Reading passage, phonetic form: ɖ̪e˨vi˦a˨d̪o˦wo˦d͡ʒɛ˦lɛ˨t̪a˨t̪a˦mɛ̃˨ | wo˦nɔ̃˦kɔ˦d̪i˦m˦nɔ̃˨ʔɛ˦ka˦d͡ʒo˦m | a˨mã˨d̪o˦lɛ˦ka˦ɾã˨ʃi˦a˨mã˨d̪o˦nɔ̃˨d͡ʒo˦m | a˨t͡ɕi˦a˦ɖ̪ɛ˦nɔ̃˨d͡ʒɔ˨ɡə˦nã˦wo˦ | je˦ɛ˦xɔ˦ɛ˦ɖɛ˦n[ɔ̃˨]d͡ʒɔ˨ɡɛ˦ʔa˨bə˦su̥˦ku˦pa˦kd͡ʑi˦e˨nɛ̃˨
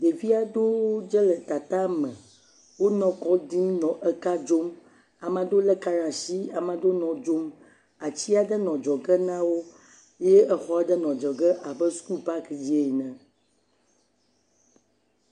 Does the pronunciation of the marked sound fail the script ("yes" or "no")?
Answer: no